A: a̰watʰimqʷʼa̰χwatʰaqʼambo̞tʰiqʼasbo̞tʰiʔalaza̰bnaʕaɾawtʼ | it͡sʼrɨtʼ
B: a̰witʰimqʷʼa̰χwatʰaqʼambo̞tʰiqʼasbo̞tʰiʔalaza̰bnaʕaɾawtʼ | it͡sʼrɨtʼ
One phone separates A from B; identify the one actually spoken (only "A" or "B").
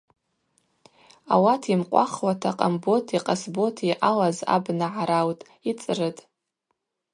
A